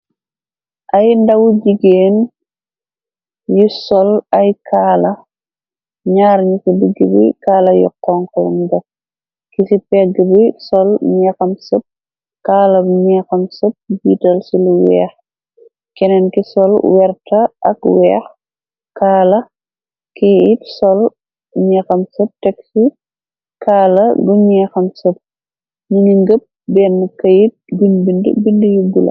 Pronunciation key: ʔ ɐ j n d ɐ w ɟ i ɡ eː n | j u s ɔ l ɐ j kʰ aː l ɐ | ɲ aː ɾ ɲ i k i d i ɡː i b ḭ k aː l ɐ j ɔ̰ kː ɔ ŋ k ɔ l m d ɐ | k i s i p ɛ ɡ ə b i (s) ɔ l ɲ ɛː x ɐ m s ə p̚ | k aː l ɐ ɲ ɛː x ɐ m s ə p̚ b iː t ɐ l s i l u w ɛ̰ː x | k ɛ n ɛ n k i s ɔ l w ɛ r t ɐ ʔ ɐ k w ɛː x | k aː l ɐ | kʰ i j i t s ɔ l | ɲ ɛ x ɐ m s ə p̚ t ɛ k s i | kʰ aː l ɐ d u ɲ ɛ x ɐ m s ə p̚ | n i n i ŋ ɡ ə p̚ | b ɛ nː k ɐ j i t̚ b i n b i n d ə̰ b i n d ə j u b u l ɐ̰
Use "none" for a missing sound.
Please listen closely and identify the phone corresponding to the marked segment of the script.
s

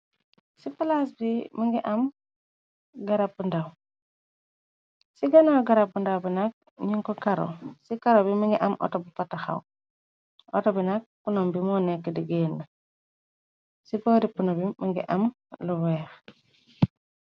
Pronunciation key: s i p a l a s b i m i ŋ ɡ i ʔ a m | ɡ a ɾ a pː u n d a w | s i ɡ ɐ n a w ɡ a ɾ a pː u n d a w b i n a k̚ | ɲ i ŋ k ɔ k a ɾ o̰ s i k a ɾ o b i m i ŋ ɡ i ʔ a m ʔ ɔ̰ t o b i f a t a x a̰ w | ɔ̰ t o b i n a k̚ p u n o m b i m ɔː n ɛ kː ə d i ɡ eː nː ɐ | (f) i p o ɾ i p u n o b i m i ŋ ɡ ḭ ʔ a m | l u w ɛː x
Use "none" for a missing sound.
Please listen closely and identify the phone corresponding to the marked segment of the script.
s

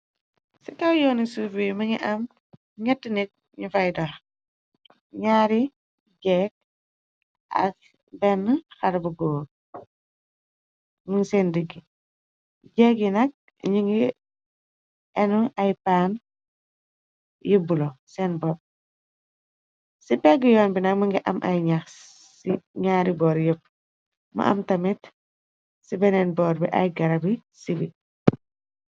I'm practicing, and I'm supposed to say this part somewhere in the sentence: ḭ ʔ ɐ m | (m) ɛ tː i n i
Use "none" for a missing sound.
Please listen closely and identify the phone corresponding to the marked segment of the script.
ɲ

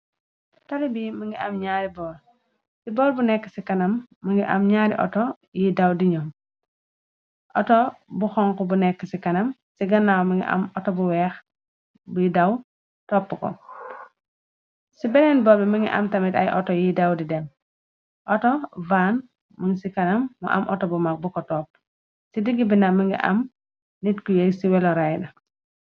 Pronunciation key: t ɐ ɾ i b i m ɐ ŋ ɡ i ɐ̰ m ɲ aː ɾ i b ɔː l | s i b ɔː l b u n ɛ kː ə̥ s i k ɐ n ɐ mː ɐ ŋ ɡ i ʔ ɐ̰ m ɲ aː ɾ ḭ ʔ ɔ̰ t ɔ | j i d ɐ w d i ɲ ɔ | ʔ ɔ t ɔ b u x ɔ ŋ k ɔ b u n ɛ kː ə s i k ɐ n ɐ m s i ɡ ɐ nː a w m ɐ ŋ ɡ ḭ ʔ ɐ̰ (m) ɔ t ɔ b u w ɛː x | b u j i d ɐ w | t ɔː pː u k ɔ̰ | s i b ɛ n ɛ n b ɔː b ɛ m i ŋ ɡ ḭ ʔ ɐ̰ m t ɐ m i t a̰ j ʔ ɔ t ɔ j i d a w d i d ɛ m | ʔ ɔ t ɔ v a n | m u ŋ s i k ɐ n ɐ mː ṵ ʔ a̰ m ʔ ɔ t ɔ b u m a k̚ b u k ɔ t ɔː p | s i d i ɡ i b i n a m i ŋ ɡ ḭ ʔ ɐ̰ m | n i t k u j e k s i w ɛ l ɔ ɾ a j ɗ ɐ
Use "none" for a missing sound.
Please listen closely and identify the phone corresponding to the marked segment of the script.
m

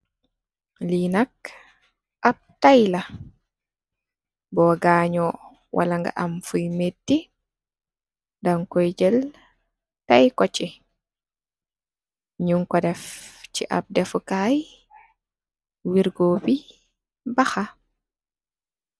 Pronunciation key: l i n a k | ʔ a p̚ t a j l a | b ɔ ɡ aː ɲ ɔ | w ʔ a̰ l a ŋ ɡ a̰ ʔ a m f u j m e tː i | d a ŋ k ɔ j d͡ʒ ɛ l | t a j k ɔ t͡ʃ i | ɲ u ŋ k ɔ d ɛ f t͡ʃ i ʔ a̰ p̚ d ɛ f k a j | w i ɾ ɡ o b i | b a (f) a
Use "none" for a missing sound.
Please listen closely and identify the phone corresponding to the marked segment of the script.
x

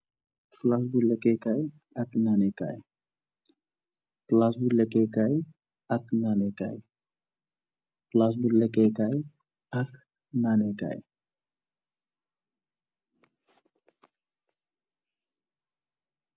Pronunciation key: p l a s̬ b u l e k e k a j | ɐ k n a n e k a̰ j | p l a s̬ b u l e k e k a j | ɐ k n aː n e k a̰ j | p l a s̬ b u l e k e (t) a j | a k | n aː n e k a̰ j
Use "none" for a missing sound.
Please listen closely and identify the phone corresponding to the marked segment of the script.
k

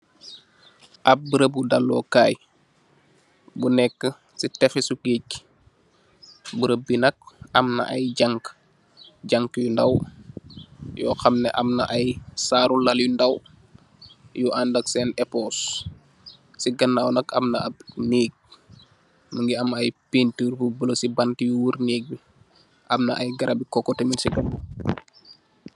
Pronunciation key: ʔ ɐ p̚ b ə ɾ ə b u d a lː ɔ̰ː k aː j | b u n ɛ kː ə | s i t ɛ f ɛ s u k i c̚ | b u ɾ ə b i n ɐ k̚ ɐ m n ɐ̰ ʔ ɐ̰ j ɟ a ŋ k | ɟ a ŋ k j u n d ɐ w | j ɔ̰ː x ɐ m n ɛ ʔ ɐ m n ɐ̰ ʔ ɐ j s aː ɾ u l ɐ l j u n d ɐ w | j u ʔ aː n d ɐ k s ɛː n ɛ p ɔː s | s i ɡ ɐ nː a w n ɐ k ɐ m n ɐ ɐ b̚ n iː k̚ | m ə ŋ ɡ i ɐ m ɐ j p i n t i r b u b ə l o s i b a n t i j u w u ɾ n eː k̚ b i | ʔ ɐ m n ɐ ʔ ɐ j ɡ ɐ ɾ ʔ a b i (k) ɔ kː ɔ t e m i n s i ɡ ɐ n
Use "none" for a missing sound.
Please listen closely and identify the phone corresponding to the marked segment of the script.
k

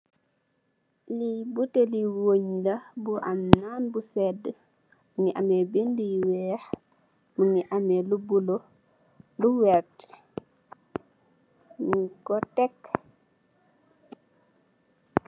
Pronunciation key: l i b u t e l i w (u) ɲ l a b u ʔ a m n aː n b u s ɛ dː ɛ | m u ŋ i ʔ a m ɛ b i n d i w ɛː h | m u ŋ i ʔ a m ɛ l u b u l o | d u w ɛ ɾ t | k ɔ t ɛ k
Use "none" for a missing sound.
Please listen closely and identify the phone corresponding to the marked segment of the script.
o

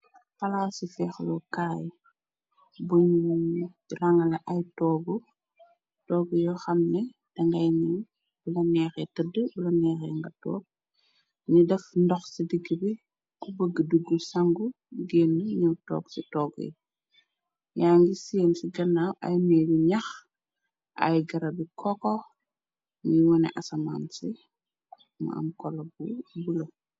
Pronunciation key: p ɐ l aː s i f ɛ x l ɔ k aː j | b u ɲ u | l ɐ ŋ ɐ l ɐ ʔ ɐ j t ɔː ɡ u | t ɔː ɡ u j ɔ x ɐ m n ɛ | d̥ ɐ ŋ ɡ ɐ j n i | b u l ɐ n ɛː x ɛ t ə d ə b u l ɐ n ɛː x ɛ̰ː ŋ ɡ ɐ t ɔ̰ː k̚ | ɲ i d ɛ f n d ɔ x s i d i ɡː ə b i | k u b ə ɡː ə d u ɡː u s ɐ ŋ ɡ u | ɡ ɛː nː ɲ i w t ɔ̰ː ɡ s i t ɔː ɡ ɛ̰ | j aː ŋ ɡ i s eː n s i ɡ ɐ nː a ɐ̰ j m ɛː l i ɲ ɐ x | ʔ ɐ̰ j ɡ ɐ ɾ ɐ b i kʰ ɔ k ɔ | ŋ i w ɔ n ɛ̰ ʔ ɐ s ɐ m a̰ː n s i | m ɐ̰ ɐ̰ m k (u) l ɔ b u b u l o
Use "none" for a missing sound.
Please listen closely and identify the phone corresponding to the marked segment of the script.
ɔ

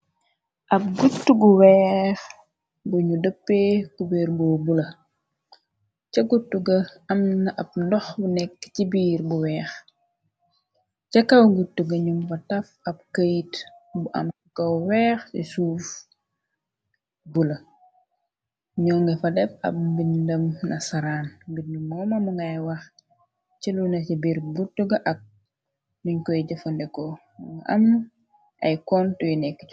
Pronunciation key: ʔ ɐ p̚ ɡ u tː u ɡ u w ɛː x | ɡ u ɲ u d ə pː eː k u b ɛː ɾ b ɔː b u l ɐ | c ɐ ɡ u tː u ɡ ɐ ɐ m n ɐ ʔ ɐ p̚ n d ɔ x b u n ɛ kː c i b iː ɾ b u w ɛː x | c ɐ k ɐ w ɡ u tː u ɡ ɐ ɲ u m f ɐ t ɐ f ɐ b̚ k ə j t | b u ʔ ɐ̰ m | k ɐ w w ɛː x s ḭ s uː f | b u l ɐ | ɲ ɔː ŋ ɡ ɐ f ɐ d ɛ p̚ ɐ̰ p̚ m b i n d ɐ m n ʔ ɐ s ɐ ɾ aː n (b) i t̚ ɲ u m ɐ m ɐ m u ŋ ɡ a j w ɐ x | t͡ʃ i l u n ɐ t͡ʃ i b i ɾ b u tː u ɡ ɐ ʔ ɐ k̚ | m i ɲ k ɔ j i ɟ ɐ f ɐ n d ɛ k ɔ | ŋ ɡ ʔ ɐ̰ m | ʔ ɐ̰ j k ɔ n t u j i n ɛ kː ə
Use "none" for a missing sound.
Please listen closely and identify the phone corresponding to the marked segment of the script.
ɡ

